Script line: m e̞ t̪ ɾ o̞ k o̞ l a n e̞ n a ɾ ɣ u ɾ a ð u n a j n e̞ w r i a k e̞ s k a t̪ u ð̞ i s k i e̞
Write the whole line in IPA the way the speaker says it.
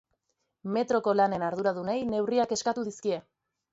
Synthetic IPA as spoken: m e̞ t̪ ɾ o̞ k o̞ l a n e̞ n a ɾ ð u ɾ a ð u n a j n e̞ w r i a k e̞ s k a t̪ u ð̞ i s k i e̞